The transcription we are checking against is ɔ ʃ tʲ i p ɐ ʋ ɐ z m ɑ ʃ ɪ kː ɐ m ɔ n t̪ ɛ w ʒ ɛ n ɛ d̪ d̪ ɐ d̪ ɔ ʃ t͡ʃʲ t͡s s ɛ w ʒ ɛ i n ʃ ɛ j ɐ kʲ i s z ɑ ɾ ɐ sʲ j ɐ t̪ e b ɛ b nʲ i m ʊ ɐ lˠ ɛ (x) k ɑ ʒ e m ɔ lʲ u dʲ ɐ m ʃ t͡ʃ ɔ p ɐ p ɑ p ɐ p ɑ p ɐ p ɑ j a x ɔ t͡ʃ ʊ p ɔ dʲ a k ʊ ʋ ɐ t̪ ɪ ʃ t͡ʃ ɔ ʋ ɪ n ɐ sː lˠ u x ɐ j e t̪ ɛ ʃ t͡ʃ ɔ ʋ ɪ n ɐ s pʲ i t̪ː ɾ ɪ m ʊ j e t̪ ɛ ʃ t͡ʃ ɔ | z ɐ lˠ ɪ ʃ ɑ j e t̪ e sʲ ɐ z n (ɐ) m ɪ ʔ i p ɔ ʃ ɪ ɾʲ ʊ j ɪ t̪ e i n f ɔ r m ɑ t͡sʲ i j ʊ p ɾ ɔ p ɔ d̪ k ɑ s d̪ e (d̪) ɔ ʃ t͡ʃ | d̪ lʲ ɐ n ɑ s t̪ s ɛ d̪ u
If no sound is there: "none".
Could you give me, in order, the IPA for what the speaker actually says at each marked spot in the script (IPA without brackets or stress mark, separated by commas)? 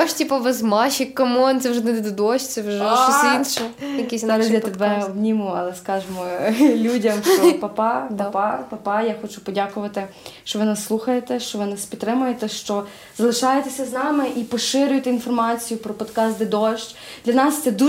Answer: s, ɑ, d̪